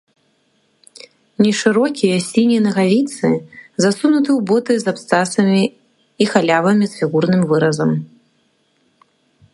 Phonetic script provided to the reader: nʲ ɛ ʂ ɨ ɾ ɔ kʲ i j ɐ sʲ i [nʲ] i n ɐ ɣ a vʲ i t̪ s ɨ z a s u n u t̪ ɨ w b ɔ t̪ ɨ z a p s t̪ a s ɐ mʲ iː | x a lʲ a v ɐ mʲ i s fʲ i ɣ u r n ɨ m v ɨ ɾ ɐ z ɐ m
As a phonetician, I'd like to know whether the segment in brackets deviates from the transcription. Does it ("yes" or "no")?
no